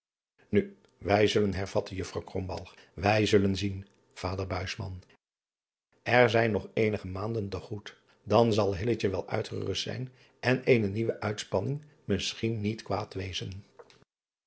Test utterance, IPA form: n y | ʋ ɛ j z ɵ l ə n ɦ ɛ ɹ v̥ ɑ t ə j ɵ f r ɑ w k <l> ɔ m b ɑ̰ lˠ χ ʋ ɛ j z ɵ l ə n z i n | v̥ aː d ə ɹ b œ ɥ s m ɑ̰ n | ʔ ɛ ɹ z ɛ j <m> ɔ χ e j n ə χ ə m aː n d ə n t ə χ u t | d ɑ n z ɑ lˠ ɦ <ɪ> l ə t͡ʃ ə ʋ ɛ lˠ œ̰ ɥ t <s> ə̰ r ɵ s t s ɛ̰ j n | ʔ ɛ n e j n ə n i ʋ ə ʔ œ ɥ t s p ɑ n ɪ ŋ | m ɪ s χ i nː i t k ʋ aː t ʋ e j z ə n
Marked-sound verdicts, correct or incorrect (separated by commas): incorrect, incorrect, correct, incorrect